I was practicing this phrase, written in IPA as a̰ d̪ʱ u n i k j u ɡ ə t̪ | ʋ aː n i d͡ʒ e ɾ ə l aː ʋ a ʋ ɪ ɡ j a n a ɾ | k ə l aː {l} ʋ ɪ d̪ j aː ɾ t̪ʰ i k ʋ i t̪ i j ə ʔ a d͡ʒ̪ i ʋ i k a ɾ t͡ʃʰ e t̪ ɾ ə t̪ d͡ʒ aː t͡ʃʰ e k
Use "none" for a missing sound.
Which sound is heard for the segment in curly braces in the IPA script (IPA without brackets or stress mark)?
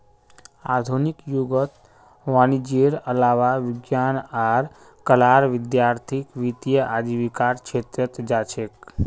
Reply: ɾ